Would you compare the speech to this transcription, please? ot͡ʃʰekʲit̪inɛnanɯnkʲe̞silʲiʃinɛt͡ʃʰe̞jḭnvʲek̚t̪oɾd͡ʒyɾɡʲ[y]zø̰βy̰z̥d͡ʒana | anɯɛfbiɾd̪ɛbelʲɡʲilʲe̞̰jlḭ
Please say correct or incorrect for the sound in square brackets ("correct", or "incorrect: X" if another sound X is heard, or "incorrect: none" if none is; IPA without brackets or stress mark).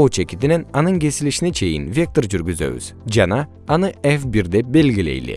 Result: correct